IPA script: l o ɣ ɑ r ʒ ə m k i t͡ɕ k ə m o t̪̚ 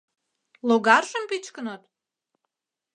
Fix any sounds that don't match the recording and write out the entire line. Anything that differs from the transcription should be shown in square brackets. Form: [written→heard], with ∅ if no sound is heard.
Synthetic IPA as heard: l o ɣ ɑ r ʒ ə m [k→p] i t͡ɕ k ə [m→n] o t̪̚